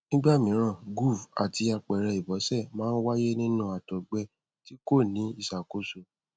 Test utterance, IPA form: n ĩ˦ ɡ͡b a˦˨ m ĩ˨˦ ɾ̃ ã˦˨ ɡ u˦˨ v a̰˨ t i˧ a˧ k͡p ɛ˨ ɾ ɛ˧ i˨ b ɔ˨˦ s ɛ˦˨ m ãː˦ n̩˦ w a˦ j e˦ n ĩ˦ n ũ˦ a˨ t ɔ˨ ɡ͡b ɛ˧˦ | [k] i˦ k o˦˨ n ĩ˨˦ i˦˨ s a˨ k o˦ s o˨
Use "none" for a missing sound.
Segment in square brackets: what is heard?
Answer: t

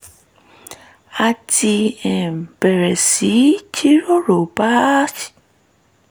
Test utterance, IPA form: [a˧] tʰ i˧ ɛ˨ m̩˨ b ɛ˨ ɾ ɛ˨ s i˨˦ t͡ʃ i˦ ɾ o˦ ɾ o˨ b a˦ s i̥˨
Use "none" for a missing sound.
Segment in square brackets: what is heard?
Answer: a˧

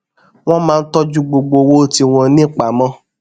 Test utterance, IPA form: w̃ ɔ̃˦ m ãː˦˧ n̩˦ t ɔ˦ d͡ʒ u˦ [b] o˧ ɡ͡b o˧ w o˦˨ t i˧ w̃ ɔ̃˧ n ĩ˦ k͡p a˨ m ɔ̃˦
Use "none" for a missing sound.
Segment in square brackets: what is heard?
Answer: ɡ͡b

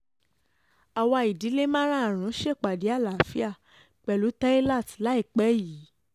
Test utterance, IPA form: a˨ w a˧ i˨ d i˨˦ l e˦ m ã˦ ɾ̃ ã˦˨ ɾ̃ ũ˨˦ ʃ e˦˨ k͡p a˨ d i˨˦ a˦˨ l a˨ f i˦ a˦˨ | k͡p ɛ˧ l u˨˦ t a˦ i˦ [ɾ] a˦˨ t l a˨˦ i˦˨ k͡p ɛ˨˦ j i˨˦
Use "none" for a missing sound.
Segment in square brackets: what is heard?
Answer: l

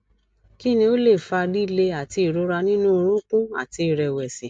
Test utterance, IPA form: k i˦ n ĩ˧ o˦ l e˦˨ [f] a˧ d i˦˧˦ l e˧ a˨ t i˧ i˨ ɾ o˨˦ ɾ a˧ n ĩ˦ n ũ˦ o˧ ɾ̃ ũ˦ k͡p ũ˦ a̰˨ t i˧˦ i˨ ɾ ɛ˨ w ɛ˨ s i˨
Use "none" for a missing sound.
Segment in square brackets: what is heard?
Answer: f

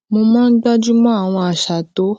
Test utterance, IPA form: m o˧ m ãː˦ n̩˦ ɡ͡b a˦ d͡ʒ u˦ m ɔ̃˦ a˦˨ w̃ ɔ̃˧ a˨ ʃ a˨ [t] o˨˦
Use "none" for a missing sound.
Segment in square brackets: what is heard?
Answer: t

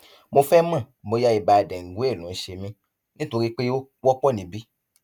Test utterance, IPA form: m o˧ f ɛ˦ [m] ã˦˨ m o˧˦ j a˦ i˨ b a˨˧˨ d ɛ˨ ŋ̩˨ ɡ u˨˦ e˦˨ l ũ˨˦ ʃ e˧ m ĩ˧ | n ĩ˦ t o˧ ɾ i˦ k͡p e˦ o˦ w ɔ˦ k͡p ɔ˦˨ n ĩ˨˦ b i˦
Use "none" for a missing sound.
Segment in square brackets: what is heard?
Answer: m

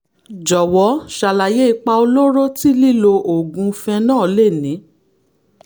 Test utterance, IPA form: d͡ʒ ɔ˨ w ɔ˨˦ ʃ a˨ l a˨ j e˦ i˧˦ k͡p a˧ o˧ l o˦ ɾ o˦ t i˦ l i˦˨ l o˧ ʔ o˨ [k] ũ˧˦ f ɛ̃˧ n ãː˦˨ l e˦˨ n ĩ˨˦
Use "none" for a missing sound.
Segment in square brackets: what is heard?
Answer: ɡ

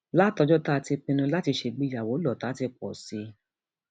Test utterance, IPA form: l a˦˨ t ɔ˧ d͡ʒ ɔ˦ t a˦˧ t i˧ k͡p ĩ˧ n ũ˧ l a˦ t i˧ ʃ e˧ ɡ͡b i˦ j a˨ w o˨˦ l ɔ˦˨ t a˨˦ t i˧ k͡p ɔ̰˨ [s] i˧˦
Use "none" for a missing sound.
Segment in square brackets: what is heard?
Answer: s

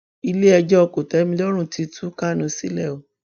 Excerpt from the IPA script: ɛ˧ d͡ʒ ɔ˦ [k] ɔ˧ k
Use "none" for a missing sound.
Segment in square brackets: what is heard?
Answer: none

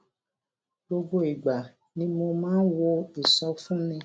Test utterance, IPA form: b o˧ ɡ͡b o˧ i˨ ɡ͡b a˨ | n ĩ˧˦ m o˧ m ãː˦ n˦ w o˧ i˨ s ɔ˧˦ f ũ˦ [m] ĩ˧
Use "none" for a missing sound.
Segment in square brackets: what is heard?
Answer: n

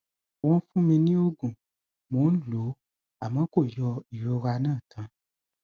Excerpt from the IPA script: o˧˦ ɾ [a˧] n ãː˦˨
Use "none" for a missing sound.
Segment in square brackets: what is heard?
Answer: a˧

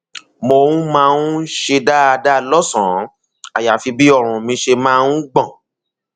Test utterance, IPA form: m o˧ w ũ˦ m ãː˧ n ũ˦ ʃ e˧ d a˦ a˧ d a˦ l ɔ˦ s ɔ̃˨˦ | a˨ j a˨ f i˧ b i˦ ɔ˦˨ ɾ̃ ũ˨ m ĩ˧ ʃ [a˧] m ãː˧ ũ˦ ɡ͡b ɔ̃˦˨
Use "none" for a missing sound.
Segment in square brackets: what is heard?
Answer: e˧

